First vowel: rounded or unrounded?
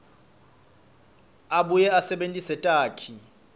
unrounded